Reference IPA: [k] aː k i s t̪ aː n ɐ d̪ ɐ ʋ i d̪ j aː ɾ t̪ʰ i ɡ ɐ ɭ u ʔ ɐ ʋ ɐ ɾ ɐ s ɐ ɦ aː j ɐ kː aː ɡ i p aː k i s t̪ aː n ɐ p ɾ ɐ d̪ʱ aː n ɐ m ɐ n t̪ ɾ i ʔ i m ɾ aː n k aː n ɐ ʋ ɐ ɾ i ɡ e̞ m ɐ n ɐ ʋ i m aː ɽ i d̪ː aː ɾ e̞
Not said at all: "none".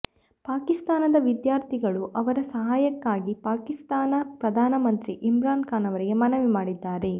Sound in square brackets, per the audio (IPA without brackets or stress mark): p